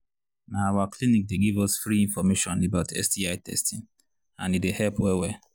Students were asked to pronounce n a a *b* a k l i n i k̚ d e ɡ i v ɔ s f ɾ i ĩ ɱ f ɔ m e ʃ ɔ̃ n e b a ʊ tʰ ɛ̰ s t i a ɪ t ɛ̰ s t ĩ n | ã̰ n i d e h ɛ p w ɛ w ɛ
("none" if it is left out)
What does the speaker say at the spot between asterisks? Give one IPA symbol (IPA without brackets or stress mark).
w